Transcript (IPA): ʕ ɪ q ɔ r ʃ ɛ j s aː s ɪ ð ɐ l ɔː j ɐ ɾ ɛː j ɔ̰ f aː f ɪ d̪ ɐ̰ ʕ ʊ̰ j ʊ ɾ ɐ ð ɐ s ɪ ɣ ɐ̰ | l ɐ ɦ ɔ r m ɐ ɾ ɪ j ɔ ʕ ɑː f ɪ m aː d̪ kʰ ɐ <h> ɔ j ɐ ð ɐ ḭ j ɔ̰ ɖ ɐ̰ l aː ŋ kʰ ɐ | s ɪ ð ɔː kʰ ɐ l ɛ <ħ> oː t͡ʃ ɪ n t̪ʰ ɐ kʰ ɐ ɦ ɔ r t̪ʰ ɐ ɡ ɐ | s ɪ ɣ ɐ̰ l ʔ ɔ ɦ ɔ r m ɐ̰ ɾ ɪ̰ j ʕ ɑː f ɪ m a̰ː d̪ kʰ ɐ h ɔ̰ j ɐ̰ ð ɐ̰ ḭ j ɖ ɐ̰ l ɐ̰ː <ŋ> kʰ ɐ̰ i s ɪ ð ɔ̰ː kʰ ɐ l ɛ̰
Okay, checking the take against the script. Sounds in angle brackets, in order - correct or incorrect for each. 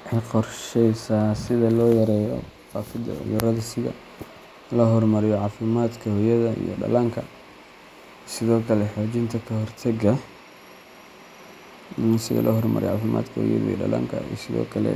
correct, correct, correct

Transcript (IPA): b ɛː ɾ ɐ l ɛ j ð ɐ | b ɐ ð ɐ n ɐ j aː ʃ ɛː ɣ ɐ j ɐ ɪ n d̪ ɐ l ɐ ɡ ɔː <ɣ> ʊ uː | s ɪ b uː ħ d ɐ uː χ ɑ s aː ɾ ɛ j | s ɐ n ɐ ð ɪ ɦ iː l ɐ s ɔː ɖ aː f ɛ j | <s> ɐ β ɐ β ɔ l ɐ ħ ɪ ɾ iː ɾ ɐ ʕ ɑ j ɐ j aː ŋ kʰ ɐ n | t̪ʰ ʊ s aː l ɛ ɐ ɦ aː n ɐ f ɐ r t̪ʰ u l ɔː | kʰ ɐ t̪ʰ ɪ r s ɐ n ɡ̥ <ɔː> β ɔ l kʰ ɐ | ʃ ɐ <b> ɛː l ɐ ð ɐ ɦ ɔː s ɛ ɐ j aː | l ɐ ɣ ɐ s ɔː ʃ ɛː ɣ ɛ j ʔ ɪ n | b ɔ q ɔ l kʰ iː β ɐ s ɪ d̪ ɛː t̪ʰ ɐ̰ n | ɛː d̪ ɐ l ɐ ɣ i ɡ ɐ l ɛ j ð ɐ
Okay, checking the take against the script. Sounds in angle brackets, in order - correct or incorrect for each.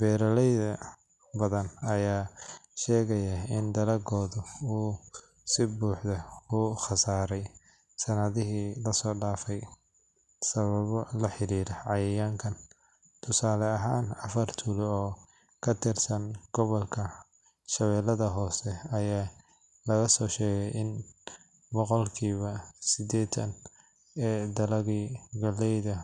incorrect: ð, correct, incorrect: ɔ, incorrect: β

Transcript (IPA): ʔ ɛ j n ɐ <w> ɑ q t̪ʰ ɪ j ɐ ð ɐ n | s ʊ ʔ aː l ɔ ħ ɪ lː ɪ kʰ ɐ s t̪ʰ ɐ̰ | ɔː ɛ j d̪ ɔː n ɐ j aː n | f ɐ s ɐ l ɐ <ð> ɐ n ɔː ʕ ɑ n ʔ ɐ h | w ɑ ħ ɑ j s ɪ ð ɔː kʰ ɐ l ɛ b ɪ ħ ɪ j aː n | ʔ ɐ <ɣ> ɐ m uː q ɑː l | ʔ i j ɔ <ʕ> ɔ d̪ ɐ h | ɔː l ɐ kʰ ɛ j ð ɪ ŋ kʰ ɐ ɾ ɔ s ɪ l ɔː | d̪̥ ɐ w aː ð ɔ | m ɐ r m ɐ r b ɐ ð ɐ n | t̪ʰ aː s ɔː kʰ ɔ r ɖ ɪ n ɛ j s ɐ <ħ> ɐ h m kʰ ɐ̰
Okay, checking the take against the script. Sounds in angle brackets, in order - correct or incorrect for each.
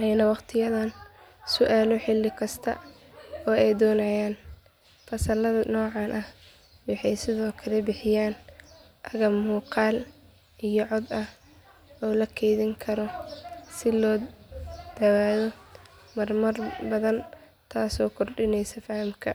correct, correct, correct, correct, incorrect: f

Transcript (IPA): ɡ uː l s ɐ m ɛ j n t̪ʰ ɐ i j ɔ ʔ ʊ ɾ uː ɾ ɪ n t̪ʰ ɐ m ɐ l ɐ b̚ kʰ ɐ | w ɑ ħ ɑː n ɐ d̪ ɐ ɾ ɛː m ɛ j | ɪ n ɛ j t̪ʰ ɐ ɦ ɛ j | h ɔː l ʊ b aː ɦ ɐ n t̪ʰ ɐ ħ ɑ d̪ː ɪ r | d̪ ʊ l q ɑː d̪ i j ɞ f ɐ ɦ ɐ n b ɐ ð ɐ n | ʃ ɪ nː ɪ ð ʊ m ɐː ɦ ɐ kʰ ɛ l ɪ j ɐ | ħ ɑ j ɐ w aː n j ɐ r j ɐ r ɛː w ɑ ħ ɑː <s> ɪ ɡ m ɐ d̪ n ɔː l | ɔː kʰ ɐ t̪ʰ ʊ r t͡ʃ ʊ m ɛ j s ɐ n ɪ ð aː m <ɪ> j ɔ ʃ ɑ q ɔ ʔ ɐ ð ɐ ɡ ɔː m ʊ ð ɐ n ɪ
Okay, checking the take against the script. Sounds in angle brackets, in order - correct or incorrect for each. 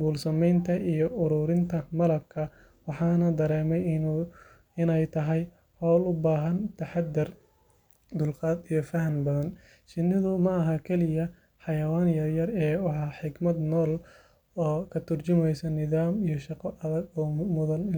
incorrect: ħ, incorrect: i

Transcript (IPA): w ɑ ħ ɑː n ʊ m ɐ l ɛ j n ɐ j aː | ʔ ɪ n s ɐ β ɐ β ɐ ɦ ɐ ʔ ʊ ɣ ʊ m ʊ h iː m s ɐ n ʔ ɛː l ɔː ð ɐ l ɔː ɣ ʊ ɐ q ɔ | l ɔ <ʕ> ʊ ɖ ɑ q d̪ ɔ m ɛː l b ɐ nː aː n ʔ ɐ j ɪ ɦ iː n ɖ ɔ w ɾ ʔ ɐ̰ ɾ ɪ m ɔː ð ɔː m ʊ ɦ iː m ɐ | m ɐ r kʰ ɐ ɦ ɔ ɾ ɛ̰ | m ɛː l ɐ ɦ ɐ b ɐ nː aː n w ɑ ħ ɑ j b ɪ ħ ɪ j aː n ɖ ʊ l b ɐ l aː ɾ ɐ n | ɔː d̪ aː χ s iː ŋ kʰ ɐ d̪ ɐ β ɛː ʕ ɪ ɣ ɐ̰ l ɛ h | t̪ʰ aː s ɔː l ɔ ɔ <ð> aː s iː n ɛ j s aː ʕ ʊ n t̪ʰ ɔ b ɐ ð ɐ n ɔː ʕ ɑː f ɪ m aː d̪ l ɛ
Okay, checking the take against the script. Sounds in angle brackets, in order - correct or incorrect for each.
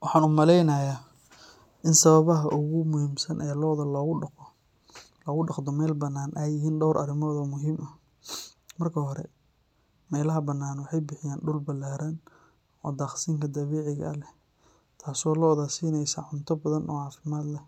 incorrect: ɣ, correct

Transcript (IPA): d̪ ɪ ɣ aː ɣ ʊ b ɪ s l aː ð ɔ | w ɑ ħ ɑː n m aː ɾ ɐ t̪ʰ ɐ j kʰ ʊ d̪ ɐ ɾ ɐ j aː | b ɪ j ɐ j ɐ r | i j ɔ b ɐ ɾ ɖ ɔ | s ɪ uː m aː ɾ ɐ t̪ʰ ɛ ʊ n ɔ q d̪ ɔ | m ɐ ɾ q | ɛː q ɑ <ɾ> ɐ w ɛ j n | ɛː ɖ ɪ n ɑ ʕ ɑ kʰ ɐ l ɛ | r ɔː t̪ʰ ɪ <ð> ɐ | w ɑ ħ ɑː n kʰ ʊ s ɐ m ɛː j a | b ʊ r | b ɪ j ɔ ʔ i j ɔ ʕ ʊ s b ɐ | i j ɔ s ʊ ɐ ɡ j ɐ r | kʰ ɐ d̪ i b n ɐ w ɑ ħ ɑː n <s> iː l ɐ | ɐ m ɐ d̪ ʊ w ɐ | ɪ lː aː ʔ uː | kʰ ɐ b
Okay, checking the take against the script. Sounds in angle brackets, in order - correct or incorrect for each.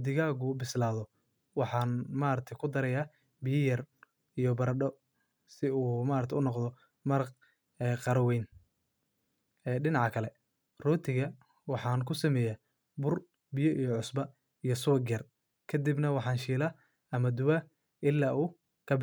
correct, incorrect: ɣ, incorrect: ʃ

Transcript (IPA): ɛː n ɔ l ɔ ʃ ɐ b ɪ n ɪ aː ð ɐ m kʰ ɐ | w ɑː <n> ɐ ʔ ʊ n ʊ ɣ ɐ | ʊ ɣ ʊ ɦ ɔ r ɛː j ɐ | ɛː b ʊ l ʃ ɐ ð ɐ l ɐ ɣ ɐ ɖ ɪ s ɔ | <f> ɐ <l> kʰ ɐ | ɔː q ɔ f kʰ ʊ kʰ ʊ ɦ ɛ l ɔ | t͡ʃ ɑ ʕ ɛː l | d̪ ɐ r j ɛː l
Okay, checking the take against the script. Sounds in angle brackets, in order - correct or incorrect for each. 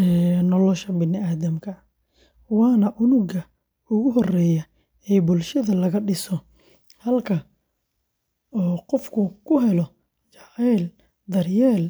correct, incorrect: h, correct

